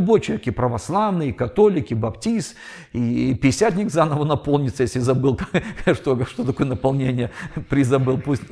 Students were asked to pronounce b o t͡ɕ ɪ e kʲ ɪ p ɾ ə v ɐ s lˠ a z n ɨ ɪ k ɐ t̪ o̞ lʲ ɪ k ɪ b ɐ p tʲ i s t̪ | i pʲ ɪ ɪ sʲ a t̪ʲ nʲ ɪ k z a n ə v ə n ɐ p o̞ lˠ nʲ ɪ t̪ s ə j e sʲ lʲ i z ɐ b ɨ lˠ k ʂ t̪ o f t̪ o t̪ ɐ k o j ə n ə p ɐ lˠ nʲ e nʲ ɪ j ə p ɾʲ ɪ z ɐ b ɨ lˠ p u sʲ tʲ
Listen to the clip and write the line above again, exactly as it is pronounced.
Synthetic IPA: b o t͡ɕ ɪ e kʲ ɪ p ɾ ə v ɐ s lˠ a v n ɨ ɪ k ɐ t̪ o̞ lʲ ɪ k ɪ b ɐ p tʲ i s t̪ | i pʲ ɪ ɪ sʲ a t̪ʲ nʲ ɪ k z a n ə v ə n ɐ p o̞ lˠ nʲ ɪ t̪ s ə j e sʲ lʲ ɪ z ɐ b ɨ lˠ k ʂ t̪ o ʂ t̪ o t̪ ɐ k o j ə n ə p ɐ lˠ nʲ e nʲ ɪ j ə p ɾʲ ɪ z ɐ b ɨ lˠ p u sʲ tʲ